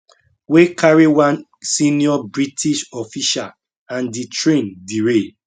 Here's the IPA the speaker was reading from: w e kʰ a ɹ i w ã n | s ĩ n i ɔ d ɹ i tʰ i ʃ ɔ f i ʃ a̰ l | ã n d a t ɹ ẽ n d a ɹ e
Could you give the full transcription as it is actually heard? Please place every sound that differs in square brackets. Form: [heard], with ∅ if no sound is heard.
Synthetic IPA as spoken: w e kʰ a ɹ i w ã n | s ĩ n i ɔ [b] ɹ i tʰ i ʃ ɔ f i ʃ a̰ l | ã n d [i] t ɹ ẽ n d [i] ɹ e